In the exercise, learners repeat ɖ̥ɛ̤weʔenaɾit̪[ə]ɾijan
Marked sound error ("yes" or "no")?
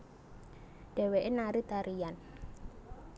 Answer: yes